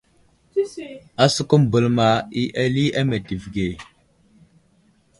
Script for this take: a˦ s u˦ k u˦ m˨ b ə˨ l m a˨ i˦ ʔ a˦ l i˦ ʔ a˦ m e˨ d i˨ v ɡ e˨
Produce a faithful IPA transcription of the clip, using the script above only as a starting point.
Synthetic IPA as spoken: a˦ s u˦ k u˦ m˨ b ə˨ l m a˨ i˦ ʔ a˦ l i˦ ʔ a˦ m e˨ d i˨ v ɡ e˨